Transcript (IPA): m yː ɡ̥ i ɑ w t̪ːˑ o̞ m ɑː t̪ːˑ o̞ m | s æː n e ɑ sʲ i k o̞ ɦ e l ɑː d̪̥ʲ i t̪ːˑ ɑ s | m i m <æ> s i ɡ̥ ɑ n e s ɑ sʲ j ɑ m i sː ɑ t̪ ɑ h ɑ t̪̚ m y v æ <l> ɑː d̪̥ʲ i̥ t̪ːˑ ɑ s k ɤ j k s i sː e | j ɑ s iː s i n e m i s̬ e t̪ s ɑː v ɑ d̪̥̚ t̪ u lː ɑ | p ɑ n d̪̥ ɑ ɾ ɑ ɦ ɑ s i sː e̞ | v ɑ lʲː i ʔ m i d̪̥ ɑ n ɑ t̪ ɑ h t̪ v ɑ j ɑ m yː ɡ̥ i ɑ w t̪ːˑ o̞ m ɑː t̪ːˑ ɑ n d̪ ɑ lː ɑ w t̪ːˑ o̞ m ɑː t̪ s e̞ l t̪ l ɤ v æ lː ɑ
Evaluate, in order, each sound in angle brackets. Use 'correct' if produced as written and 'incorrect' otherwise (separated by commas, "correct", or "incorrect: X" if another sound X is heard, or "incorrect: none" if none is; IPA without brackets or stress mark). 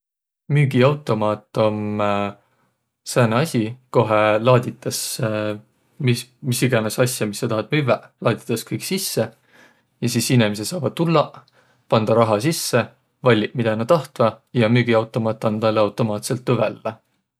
incorrect: i, correct